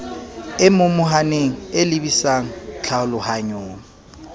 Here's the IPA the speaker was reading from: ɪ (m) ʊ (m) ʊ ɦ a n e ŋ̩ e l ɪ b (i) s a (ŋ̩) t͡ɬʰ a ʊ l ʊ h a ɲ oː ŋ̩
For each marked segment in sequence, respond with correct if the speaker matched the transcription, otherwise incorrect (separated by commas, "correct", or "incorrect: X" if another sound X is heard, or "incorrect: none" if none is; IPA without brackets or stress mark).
correct, correct, correct, correct